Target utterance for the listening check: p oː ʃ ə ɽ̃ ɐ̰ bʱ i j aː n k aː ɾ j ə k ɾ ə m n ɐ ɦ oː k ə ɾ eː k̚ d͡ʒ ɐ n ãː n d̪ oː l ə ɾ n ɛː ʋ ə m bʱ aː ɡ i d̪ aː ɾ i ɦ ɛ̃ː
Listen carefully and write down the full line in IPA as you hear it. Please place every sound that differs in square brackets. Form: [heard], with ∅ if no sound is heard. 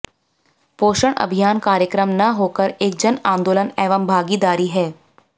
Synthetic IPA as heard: p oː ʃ ə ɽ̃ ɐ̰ bʱ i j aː n k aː ɾ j ə k ɾ ə m n ɐ ɦ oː k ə ɾ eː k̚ d͡ʒ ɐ n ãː n d̪ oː l ə [∅] n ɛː ʋ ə m bʱ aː ɡ i d̪ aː ɾ i ɦ [ɛː]